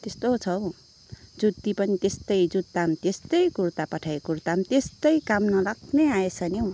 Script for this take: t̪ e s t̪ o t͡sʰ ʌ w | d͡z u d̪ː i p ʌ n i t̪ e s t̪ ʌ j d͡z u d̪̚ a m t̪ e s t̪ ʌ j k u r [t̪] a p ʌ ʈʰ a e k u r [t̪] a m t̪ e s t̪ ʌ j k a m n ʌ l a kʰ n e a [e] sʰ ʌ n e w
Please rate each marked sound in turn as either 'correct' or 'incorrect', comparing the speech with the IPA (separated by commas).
correct, correct, correct